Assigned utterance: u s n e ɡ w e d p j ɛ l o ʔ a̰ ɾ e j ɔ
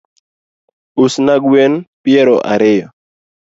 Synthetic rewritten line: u s n a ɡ w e n p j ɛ ɾ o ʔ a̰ ɾ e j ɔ